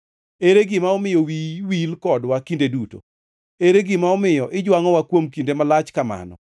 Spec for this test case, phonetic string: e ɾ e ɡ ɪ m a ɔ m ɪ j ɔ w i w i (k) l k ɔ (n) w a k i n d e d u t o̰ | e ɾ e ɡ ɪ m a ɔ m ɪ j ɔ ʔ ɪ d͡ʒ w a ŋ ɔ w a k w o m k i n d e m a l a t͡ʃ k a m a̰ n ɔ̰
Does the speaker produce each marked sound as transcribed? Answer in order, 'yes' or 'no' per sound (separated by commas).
no, no